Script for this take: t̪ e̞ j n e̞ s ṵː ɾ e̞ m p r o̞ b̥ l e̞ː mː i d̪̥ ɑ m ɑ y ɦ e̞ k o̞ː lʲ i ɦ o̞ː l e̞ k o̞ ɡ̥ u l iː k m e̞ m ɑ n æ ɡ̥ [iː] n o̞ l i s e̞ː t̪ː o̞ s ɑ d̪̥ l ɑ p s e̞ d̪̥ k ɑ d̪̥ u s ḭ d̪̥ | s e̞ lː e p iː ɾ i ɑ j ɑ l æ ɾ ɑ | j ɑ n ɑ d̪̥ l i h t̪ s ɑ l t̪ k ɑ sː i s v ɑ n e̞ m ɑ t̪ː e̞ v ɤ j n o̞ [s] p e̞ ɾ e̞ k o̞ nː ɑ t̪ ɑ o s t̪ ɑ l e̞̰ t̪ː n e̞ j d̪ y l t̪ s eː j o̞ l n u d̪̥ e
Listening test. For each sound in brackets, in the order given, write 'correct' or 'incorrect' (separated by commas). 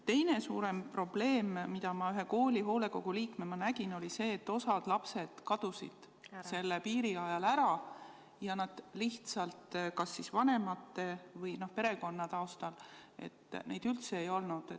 incorrect, incorrect